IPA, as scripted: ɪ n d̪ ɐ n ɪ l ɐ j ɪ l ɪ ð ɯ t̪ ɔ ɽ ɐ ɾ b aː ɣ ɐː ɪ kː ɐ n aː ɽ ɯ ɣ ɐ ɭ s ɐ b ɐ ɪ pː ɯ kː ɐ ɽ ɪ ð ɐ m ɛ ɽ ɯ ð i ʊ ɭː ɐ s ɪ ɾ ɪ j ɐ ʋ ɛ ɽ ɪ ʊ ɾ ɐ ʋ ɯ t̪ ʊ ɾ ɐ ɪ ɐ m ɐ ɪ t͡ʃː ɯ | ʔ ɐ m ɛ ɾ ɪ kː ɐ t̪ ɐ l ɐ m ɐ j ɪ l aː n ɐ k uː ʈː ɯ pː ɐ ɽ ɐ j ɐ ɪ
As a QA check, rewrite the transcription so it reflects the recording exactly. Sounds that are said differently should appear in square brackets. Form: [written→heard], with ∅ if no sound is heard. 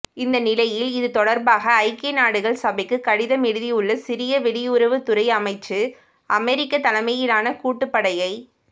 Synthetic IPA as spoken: ɪ n d̪ ɐ n ɪ l ɐ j ɪ l ɪ ð ɯ t̪ ɔ ɽ ɐ ɾ b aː ɣ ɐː ɪ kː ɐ n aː ɽ ɯ ɣ ɐ ɭ s ɐ b ɐ ɪ [pː→kː] ɯ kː ɐ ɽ ɪ ð ɐ m ɛ ɽ ɯ ð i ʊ ɭː ɐ s ɪ ɾ ɪ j ɐ ʋ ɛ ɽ ɪ ʊ ɾ ɐ ʋ ɯ t̪ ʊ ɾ ɐ ɪ ɐ m ɐ ɪ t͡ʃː ɯ | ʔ ɐ m ɛ ɾ ɪ kː ɐ t̪ ɐ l ɐ m ɐ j ɪ l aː n ɐ k uː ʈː ɯ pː ɐ ɽ ɐ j ɐ ɪ

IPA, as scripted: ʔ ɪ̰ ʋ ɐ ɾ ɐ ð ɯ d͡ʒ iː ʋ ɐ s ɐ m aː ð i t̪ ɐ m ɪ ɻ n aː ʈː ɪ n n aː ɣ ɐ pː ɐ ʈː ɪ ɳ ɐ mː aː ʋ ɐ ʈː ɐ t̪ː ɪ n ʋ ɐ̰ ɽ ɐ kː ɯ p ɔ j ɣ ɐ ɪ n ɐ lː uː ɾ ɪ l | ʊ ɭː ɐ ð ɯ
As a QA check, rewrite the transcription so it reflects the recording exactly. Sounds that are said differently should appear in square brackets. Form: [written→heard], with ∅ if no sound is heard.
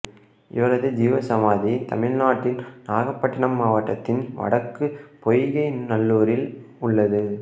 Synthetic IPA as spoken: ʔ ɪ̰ ʋ ɐ ɾ ɐ ð ɯ d͡ʒ iː ʋ ɐ s ɐ m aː ð i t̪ ɐ m ɪ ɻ n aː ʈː ɪ n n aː ɣ ɐ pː ɐ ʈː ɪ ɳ ɐ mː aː ʋ ɐ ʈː ɐ t̪ː ɪ n ʋ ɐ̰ ɽ ɐ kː ɯ p ɔ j ɣ ɐ ɪ n ɐ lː uː ɾ ɪ l | ʊ ɭː ɐ ð ɯ

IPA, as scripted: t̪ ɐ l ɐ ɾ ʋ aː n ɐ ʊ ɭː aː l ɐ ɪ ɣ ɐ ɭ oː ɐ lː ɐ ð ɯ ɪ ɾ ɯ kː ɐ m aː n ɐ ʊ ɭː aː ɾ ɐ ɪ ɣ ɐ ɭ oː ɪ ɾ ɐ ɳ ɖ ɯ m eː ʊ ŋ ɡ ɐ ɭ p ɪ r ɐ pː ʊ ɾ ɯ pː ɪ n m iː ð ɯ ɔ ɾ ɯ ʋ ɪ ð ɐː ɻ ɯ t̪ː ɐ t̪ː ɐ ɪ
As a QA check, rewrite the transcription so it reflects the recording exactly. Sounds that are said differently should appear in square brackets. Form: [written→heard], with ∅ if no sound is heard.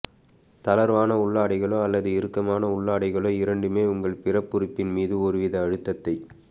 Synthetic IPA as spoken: t̪ ɐ l ɐ ɾ ʋ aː n ɐ ʊ ɭː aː [l→ɽ] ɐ ɪ ɣ ɐ ɭ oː ɐ lː ɐ ð ɯ ɪ ɾ ɯ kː ɐ m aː n ɐ ʊ ɭː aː [ɾ→ɽ] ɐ ɪ ɣ ɐ ɭ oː ɪ ɾ ɐ ɳ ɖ ɯ m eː ʊ ŋ ɡ ɐ ɭ p ɪ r ɐ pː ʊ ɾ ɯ pː ɪ n m iː ð ɯ ɔ ɾ ɯ ʋ ɪ ð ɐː ɻ ɯ t̪ː ɐ t̪ː ɐ ɪ

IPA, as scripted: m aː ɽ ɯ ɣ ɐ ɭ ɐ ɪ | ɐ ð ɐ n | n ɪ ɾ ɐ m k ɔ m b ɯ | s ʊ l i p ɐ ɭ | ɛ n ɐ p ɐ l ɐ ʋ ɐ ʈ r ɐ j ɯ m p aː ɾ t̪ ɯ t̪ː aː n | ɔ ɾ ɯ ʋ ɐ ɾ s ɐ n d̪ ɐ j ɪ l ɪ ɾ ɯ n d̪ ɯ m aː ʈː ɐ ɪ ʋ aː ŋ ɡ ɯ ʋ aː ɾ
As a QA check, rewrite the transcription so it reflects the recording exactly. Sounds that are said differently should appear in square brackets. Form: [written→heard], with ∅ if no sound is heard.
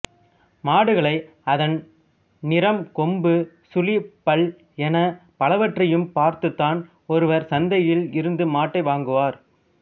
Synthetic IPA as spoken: m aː ɽ ɯ ɣ ɐ ɭ ɐ ɪ | ɐ ð ɐ n | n ɪ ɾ ɐ m k ɔ m b ɯ | s ʊ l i p ɐ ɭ | ɛ n ɐ p ɐ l ɐ ʋ ɐ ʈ r ɐ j ɯ m p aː ɾ t̪ ɯ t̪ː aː n | ɔ ɾ ɯ ʋ ɐ ɾ s ɐ n d̪ ɐ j ɪ l ɪ ɾ ɯ n d̪ ɯ m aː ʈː ɐ ɪ ʋ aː ŋ ɡ ɯ ʋ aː ɾ

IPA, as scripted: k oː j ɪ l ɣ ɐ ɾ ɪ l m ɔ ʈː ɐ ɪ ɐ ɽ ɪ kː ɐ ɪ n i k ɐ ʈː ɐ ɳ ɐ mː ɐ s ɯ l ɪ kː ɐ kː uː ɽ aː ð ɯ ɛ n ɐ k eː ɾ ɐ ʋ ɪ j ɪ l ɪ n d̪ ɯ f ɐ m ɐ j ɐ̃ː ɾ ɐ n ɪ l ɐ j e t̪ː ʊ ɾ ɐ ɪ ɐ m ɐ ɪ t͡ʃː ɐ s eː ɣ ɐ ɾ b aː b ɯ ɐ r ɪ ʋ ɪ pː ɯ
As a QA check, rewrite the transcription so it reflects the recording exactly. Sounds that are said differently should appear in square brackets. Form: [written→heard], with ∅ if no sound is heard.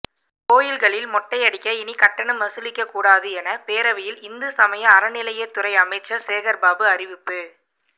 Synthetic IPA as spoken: k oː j ɪ l ɣ ɐ [ɾ→ɭ] ɪ l m ɔ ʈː ɐ ɪ ɐ ɽ ɪ kː ɐ ɪ n i k ɐ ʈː ɐ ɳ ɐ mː ɐ s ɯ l ɪ kː ɐ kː uː ɽ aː ð ɯ ɛ n ɐ [k→p] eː ɾ ɐ ʋ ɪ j ɪ l ɪ n d̪ ɯ [f→s] ɐ m ɐ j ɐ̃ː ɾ ɐ n ɪ l ɐ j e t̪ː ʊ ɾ ɐ ɪ ɐ m ɐ ɪ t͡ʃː ɐ s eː ɣ ɐ ɾ b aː b ɯ ɐ r ɪ ʋ ɪ pː ɯ

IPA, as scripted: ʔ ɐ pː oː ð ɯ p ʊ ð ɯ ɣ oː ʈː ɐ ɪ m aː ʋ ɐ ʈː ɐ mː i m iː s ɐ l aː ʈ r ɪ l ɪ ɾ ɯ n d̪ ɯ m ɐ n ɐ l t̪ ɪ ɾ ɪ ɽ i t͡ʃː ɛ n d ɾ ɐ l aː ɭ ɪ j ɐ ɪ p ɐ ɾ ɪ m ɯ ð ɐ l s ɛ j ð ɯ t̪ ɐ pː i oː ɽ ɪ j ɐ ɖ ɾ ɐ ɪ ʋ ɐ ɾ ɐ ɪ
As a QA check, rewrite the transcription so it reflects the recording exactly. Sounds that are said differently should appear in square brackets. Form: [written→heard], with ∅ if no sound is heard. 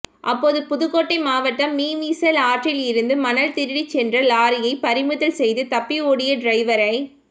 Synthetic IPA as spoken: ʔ ɐ pː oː ð ɯ p ʊ ð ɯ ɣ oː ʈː ɐ ɪ m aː ʋ ɐ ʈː ɐ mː [i→iː] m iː s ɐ l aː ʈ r ɪ l ɪ ɾ ɯ n d̪ ɯ m ɐ n ɐ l t̪ ɪ ɾ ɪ ɽ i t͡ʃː ɛ n d [ɾ→r] ɐ l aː [ɭ→ɾ] ɪ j ɐ ɪ p ɐ ɾ ɪ m ɯ ð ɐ l s ɛ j ð ɯ t̪ ɐ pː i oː ɽ ɪ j ɐ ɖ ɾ ɐ ɪ ʋ ɐ ɾ ɐ ɪ

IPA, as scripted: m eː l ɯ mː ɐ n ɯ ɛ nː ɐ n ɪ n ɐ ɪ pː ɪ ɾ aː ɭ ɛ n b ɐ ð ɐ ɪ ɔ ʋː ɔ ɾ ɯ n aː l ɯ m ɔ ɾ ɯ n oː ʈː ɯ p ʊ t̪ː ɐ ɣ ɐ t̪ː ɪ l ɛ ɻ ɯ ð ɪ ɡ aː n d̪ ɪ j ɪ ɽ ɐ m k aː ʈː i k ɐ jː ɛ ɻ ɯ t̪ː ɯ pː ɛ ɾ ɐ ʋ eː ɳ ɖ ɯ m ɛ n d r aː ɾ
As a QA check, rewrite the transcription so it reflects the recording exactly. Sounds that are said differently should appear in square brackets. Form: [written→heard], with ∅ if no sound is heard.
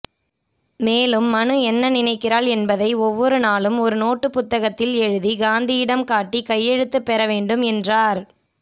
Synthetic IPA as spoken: m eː l ɯ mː ɐ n ɯ ɛ nː ɐ n ɪ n ɐ ɪ [pː→kː] ɪ ɾ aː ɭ ɛ n b ɐ ð ɐ ɪ ɔ ʋː ɔ ɾ ɯ n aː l ɯ m ɔ ɾ ɯ n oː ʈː ɯ p ʊ t̪ː ɐ ɣ ɐ t̪ː ɪ l ɛ ɻ ɯ ð [ɪ→i] ɡ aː n d̪ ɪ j ɪ ɽ ɐ m k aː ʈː i k ɐ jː ɛ ɻ ɯ t̪ː ɯ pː ɛ ɾ ɐ ʋ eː ɳ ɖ ɯ m ɛ n d r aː ɾ

